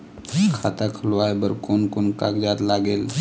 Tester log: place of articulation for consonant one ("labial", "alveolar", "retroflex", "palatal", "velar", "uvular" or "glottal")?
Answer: velar